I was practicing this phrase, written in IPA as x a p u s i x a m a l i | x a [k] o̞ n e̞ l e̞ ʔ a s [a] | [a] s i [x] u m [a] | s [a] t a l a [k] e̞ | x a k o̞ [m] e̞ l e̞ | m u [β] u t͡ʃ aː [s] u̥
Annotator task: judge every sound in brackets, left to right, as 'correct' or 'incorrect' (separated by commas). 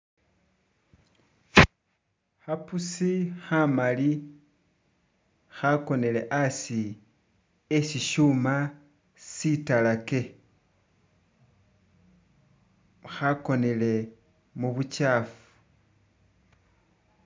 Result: correct, incorrect, incorrect, incorrect, correct, incorrect, correct, incorrect, correct, incorrect